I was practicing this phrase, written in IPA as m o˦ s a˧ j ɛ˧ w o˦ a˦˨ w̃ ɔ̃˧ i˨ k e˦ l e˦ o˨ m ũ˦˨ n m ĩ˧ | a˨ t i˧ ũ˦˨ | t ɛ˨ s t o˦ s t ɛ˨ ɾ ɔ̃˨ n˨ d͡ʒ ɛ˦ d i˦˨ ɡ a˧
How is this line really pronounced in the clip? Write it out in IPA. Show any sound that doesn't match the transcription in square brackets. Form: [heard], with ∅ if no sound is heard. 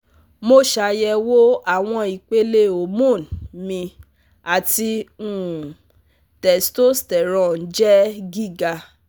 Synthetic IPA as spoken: m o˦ [ʃ] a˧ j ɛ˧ w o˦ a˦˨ w̃ ɔ̃˧ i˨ [k͡p] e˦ l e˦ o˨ m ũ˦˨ n m ĩ˧ | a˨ t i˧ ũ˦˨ | t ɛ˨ s t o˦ s t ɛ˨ ɾ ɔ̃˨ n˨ d͡ʒ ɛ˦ [ɡ] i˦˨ ɡ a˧

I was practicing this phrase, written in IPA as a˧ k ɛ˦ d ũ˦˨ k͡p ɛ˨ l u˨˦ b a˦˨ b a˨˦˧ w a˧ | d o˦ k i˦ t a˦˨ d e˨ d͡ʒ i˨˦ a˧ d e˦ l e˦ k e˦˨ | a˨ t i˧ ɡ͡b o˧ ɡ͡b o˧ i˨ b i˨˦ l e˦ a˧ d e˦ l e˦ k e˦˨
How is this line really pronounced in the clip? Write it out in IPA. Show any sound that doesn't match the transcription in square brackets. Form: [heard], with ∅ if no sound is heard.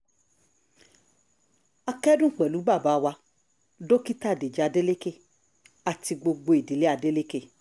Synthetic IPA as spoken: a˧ k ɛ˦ d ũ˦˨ k͡p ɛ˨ l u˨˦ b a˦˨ b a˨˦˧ w a˧ | d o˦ k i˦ t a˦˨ d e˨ d͡ʒ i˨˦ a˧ d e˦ l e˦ k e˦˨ | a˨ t i˧ ɡ͡b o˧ ɡ͡b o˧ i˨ [d] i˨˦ l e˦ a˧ d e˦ l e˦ k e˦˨

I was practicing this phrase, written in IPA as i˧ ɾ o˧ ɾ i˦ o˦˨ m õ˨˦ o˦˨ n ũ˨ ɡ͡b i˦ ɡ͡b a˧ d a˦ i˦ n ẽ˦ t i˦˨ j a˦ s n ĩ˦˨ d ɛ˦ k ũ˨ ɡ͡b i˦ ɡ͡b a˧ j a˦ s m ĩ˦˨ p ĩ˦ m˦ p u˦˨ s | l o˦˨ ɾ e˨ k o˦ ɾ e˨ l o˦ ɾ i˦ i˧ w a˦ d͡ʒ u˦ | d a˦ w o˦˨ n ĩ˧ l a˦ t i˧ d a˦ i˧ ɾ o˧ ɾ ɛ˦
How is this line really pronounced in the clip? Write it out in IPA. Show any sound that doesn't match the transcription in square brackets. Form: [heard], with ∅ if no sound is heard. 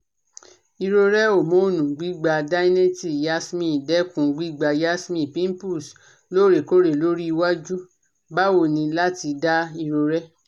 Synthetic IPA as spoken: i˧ ɾ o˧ ɾ [ɛ˦] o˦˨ m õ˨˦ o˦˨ n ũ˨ ɡ͡b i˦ ɡ͡b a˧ d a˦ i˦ n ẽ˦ t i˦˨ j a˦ s [m] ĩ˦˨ d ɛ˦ k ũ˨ ɡ͡b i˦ ɡ͡b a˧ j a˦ s m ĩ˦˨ p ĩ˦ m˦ p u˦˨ s | l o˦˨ ɾ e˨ k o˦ ɾ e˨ l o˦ ɾ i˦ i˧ w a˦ d͡ʒ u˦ | [b] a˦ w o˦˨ n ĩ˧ l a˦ t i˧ d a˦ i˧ ɾ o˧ ɾ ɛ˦

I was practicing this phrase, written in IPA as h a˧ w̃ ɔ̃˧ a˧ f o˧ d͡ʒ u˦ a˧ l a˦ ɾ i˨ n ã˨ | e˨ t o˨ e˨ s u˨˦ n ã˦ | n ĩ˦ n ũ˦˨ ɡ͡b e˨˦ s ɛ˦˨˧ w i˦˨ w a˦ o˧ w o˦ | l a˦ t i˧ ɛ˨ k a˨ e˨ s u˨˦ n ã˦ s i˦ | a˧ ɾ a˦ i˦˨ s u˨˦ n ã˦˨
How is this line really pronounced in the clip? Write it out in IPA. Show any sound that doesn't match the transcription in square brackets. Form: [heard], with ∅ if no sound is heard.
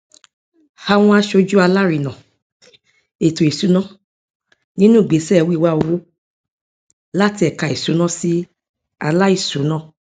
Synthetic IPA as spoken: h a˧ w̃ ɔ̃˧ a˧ [ʃ] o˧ d͡ʒ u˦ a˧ l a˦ ɾ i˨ n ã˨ | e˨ t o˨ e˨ s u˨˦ n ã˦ | n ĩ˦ n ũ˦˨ ɡ͡b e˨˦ s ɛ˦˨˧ w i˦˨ w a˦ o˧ w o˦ | l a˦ t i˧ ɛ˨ k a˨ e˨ s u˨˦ n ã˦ s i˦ | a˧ [l] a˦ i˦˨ s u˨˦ n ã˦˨

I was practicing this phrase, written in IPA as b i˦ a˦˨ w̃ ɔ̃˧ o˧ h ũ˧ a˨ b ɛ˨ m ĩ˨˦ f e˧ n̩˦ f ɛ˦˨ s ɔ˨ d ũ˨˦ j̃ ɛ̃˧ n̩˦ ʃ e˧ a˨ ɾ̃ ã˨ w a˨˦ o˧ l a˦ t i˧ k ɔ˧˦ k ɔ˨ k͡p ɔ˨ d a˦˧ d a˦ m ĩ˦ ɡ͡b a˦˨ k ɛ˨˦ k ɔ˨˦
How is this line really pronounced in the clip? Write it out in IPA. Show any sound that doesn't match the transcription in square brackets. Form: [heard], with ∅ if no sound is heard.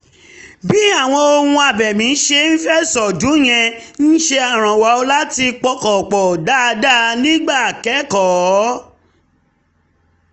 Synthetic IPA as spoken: b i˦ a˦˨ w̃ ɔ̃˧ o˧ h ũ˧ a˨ b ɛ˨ m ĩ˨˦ [ʃ] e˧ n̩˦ f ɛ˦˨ s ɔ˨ d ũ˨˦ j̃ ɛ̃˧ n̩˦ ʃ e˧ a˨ ɾ̃ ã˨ w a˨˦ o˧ l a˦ t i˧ [k͡p] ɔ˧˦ k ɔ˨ k͡p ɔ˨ d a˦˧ d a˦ [n] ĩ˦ ɡ͡b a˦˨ k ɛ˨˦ k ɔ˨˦

